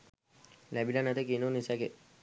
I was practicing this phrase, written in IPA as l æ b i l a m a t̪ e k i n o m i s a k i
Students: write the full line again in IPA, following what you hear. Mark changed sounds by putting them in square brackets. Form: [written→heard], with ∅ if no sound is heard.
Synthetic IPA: l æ b i l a [m→n] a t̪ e k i n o [m→n] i s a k [i→e]